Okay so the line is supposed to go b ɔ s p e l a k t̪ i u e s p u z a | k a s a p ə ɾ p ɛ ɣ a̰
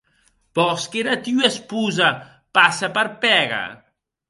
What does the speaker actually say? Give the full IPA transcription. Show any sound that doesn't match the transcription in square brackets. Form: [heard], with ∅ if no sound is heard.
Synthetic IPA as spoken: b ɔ s [k] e [ɾ] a [∅] t̪ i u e s p u z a | [p] a s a p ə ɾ p ɛ ɣ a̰